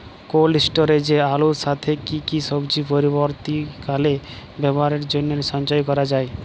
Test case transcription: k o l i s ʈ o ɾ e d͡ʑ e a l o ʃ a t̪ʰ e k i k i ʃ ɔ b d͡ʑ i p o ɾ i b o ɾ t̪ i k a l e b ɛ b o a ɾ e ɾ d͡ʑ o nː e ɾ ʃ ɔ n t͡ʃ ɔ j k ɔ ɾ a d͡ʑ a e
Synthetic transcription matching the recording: k o l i s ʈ o ɾ e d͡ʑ e a l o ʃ a t̪ʰ e k i k i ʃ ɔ b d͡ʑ i p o ɾ i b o ɾ t̪ i k a l e b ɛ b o a ɾ e ɾ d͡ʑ o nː e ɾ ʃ ɔ n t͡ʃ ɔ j k ɔ ɾ a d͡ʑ a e